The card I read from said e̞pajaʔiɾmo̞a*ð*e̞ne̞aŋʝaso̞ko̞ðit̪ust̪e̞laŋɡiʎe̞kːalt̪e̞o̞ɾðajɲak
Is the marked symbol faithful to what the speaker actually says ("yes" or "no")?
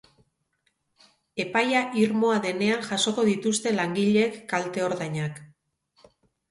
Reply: yes